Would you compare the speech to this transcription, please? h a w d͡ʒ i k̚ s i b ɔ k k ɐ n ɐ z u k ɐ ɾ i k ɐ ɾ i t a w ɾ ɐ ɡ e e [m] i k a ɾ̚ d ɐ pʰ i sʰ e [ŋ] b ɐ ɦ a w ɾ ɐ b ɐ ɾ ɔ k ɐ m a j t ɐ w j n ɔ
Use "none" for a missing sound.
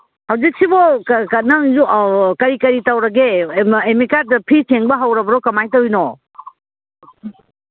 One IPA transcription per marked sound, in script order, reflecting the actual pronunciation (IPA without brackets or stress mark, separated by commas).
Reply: m, ŋ